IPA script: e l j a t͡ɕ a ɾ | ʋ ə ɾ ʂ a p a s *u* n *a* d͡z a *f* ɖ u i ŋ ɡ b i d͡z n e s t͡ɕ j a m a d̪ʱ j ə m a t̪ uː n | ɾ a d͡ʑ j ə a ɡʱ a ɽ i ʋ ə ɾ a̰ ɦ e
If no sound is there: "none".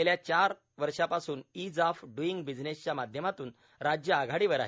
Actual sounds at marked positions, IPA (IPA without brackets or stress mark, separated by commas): uː, i, f